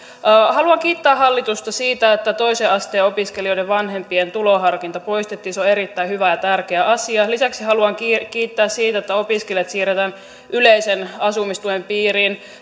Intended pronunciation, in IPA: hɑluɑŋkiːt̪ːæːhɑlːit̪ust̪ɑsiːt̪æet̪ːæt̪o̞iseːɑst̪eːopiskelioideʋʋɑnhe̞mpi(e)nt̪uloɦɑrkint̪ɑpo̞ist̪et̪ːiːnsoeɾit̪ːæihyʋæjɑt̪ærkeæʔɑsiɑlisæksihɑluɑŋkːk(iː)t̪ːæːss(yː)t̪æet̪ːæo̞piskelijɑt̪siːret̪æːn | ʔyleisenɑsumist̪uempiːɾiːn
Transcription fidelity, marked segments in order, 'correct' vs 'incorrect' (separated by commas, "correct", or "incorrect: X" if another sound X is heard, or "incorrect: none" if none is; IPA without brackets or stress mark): correct, correct, incorrect: iː